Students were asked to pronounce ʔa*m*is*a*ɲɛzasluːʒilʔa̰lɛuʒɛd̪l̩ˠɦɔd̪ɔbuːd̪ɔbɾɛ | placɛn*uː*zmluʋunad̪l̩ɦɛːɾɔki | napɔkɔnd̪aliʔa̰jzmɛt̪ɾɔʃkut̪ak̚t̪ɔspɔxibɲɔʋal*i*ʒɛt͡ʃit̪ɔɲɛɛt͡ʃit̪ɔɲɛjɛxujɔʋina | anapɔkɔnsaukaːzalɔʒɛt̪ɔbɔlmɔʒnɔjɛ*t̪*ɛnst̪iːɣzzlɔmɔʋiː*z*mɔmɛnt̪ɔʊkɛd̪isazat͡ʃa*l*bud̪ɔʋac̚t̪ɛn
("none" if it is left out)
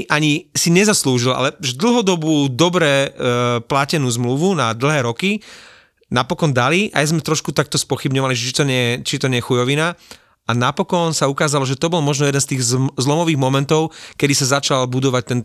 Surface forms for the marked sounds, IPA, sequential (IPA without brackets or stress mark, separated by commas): ɲ, i, uː, i, d̪, ɣ, l